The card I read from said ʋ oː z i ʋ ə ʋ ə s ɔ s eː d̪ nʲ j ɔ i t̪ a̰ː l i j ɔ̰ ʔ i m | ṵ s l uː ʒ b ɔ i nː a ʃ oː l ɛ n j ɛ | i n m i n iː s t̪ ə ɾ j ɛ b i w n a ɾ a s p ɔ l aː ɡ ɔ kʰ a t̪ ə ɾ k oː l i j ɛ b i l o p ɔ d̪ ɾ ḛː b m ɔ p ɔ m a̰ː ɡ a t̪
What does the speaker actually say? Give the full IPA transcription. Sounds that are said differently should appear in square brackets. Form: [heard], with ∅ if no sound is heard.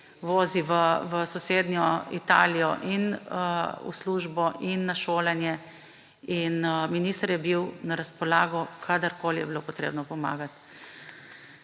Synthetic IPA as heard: ʋ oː z i ʋ ə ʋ ə s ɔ s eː d̪ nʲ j ɔ i t̪ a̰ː l i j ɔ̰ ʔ i [n] | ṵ s l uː ʒ b ɔ i nː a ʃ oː l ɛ n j ɛ | i n m i n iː s t̪ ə ɾ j ɛ b i w n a ɾ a s p ɔ l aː ɡ ɔ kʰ a [d̪] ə ɾ k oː l i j ɛ b i l o p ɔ [t̪] ɾ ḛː b [n] ɔ p ɔ m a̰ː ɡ a t̪

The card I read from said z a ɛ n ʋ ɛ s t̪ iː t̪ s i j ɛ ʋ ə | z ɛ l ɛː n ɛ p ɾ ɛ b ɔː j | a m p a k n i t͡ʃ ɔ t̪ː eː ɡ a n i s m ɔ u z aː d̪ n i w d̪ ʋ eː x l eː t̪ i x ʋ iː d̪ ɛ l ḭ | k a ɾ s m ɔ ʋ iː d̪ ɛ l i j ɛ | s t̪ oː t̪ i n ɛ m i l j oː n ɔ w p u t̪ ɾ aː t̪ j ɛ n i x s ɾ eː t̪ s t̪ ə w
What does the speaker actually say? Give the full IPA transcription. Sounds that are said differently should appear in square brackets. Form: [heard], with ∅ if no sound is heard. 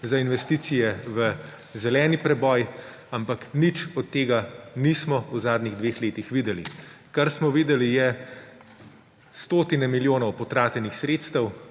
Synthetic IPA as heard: z a [i] n ʋ ɛ s t̪ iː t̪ s i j ɛ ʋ ə | z ɛ l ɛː n [i] p ɾ ɛ b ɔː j | a m p a k n i t͡ʃ ɔ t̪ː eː ɡ a n i s m ɔ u z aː d̪ n i [ɣ] d̪ ʋ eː x l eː t̪ i x ʋ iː d̪ ɛ l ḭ | k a ɾ s m ɔ ʋ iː d̪ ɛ l i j ɛ | s t̪ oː t̪ i n ɛ m i l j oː n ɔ w p [ɔ] t̪ ɾ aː t̪ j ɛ n i x s ɾ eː t̪ s t̪ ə w

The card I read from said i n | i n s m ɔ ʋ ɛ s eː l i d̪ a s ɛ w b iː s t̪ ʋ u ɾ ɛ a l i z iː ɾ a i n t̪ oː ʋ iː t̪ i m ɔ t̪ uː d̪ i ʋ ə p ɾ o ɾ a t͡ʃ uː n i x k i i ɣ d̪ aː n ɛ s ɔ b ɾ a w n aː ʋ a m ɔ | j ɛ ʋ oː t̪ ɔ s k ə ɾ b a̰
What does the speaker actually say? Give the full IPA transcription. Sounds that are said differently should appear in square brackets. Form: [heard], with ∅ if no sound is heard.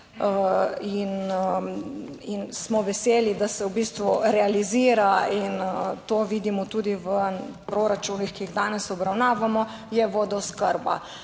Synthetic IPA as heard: i n | i n s m ɔ ʋ ɛ s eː l i d̪ a s ɛ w b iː s t̪ ʋ u ɾ ɛ a l i z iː ɾ a i n t̪ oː ʋ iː [d̪] i m ɔ t̪ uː d̪ i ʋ ə p ɾ o ɾ a t͡ʃ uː n i x k i i ɣ d̪ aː n ɛ s ɔ b ɾ a w n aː ʋ a m ɔ | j ɛ ʋ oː [d̪] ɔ s k ə ɾ b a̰

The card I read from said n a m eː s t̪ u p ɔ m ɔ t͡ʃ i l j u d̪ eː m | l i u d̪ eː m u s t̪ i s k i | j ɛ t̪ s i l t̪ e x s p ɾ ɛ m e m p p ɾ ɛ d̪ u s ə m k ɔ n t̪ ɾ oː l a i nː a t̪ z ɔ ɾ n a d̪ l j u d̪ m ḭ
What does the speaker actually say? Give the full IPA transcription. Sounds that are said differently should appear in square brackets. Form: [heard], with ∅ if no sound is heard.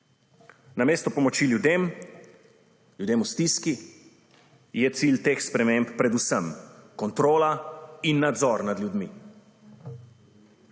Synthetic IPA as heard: n a m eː s t̪ [ɔ] p ɔ m ɔ t͡ʃ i l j u d̪ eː m | l [j] u d̪ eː m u s t̪ i s k i | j ɛ t̪ s i l t̪ e x s p ɾ ɛ m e m p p ɾ ɛ d̪ u s ə m k ɔ n t̪ ɾ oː l a i nː a [d̪] z ɔ ɾ n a d̪ l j u d̪ m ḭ

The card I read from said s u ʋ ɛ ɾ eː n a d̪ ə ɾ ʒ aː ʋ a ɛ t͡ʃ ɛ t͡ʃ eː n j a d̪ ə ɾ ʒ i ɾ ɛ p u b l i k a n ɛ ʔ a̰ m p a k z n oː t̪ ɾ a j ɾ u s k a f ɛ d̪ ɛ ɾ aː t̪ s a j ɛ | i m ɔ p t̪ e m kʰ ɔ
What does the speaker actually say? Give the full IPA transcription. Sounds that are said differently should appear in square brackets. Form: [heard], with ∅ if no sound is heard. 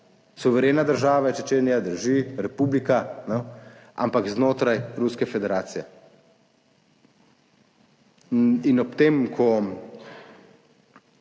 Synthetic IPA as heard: s u ʋ ɛ ɾ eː n a d̪ ə ɾ ʒ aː ʋ a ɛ t͡ʃ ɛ t͡ʃ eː n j a d̪ ə ɾ ʒ i ɾ ɛ p u b l i k a n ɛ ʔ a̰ m p a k z n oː t̪ ɾ a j ɾ u s k [ɛ] f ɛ d̪ ɛ ɾ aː t̪ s [i] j ɛ | i [n] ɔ p t̪ e m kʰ ɔ

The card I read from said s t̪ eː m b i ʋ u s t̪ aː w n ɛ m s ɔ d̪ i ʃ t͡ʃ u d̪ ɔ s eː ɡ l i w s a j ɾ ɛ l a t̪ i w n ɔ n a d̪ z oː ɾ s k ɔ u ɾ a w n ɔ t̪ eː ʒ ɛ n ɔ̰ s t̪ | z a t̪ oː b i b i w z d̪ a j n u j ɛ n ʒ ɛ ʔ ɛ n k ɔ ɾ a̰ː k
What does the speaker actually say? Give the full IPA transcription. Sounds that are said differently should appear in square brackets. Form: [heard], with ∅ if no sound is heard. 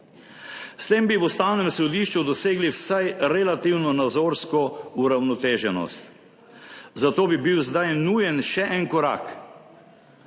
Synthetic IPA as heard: s t̪ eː m b i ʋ u s t̪ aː w n ɛ m s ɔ d̪ i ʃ t͡ʃ u d̪ ɔ s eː ɡ l i w s a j ɾ ɛ l a t̪ i w n ɔ n a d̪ z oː ɾ s k ɔ u ɾ a w n ɔ t̪ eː ʒ ɛ n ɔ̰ s t̪ | z a t̪ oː b i b i w z d̪ a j n u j ɛ n [ʃ] ɛ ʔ ɛ n k ɔ ɾ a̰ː k

